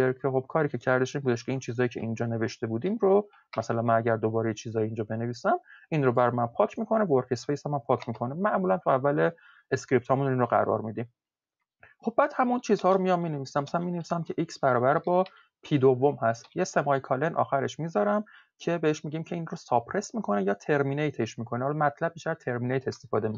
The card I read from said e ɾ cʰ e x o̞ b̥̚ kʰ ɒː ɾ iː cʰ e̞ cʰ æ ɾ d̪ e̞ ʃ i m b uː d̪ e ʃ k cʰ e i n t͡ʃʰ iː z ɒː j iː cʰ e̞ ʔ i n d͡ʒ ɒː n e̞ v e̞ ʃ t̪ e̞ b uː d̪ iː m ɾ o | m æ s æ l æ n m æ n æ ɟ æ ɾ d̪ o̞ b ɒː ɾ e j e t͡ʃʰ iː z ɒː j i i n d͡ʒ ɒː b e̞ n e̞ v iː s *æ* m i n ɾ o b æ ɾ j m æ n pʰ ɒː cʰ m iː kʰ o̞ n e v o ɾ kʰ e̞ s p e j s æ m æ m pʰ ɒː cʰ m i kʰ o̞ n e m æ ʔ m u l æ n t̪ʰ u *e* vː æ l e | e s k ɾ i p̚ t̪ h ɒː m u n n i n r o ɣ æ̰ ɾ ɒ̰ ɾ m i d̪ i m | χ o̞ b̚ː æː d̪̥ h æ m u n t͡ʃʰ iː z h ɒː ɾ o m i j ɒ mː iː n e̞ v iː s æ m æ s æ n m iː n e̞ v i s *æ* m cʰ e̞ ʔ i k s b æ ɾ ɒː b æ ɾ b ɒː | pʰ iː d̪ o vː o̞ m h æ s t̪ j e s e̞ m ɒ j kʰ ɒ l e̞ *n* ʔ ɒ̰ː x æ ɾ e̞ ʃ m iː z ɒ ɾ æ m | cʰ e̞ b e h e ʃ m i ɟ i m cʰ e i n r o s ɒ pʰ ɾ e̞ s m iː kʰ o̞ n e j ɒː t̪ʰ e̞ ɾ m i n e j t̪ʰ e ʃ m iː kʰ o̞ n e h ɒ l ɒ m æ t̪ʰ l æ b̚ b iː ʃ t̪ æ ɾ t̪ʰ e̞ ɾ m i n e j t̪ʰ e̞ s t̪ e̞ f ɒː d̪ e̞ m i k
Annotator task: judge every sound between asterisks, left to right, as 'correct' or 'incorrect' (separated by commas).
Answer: correct, incorrect, correct, correct